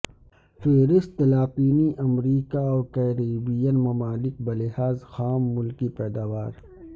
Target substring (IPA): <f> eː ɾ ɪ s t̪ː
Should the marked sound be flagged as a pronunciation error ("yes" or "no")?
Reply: no